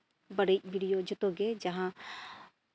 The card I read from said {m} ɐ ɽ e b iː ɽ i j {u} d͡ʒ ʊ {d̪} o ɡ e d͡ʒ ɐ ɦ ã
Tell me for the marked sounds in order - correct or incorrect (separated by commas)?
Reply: incorrect, incorrect, incorrect